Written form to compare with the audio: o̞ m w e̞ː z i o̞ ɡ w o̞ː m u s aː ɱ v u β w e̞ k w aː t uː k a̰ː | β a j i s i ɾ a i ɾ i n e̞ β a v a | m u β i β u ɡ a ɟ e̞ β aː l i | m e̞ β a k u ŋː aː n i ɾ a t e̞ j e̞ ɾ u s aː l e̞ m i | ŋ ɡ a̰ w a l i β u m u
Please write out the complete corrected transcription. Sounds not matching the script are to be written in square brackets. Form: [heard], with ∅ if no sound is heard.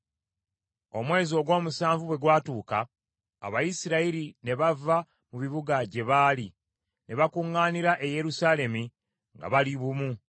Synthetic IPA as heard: o̞ m w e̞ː z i o̞ ɡ w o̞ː m u s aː ɱ v u β w e̞ [ɡ] w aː t uː k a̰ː | β a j i s i ɾ a i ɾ i n e̞ β a v a | m u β i β u ɡ a ɟ e̞ β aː l i | [n] e̞ β a k u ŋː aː n i ɾ a [ʔ] e̞ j e̞ ɾ u s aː l e̞ m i | ŋ ɡ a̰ [β] a l i β u m u

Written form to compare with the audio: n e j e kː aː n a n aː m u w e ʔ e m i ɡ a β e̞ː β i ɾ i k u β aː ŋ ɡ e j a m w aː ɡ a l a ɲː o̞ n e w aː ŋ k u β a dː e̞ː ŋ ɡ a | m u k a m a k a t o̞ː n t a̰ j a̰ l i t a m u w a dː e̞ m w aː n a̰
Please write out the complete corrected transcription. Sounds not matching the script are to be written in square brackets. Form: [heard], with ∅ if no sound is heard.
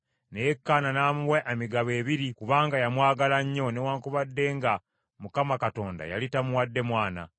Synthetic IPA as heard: n e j e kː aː n a n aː m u w e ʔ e m i ɡ a β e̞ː β i ɾ i k u β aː ŋ ɡ [a] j a m w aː ɡ a l a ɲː o̞ n e w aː ŋ k u β a dː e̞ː ŋ ɡ a | m u k a m a k a t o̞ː n [d] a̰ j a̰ l i t a m u w a dː e̞ m w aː n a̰

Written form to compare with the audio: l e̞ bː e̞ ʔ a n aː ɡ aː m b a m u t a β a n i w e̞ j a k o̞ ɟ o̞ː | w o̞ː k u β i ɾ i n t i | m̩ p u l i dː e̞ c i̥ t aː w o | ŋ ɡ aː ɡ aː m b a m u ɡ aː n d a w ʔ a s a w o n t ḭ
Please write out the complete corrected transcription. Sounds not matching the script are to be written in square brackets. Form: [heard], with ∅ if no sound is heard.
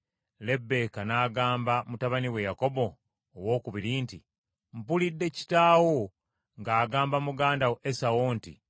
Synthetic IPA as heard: l e̞ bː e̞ [k] a n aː ɡ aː m b a m u t a β a n i w e̞ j a k o̞ [b] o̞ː | w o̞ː k u β i ɾ i n t i | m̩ p u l i dː e̞ c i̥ t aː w o | ŋ ɡ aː ɡ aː m b a m u ɡ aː n d a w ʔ [e] s a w o n t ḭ

